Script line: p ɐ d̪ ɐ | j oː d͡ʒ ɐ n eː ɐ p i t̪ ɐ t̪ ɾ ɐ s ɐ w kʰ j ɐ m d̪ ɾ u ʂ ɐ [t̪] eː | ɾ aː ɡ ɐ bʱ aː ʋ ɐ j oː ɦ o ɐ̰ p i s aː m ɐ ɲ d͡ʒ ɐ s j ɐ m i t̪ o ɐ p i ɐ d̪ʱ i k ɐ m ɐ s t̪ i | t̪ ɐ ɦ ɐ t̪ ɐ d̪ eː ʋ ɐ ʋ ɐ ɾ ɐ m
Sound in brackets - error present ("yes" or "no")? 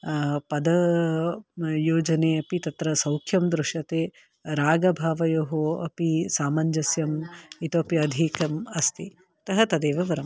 no